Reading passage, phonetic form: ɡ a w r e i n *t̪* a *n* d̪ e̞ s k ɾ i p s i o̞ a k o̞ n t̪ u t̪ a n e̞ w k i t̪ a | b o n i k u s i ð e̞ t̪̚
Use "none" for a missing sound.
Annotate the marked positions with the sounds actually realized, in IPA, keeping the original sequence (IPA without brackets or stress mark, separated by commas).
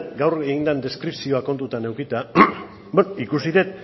d̪, n